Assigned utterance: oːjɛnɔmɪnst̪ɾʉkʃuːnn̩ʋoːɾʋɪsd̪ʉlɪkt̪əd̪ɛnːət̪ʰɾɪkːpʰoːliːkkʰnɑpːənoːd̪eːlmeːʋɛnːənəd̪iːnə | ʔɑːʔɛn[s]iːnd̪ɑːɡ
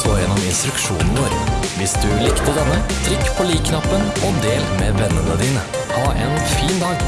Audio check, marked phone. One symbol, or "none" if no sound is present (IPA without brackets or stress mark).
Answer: f